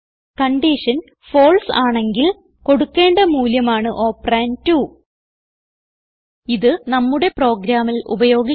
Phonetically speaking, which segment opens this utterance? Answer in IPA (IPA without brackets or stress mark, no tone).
k